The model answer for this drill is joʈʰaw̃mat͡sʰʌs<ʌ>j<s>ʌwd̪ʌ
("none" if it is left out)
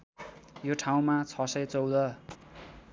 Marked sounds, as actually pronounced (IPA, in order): ʌ, t͡s

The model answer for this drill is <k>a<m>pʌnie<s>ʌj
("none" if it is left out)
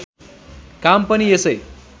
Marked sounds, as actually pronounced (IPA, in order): k, m, s

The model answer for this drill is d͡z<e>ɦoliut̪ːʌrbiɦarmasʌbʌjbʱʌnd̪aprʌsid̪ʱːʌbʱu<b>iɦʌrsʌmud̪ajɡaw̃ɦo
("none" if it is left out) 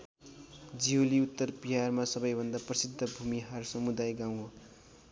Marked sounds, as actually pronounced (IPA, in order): i, m

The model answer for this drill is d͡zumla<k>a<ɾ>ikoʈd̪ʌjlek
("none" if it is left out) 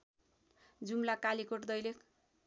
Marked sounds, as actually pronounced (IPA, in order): k, l

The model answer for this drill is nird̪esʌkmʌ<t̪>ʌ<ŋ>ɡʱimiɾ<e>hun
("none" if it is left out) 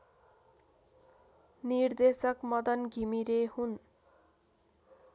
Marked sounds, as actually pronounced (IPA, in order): d̪, n, e

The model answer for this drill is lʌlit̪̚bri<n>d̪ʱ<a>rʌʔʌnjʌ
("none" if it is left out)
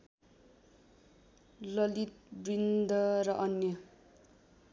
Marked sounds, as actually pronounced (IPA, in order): n, ʌ

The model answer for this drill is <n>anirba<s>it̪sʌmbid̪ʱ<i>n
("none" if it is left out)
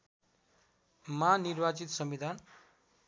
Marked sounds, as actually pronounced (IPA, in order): m, t͡s, a

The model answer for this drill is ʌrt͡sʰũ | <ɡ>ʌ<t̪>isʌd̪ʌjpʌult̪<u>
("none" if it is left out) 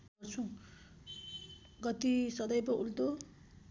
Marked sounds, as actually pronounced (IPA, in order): ɡ, t̪, o

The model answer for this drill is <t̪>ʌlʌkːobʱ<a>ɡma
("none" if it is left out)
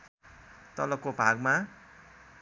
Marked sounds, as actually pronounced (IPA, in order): t̪, a

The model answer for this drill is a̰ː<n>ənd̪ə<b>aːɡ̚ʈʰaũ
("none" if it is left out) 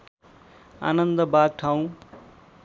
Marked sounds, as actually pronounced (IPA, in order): n, b

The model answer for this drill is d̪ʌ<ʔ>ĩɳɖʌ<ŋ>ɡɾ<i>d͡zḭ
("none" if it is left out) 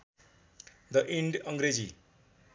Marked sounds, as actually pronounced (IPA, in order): ʔ, ŋ, e

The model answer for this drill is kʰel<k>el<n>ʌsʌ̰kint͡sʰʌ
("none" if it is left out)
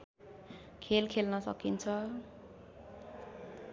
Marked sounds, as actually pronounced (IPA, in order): kʰ, n

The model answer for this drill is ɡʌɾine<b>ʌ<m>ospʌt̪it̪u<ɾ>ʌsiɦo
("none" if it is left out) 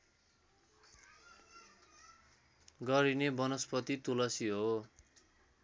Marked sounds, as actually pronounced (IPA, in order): b, n, l

